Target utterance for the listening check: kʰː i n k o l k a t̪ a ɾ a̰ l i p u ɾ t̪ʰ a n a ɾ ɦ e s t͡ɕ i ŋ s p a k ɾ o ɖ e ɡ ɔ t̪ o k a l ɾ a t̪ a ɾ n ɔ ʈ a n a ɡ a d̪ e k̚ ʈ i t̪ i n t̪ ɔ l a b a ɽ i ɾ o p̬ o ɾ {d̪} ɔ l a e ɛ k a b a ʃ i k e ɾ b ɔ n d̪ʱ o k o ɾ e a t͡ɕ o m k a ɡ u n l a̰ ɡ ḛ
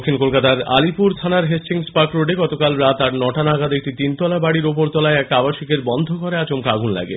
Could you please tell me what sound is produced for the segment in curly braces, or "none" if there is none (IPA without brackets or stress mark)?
t̪